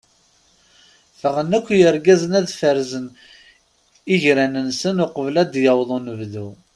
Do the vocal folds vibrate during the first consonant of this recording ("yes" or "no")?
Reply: no